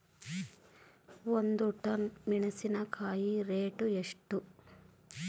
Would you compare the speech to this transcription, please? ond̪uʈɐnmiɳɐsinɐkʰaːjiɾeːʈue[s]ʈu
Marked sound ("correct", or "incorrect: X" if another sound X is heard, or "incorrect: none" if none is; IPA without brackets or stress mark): incorrect: ʂ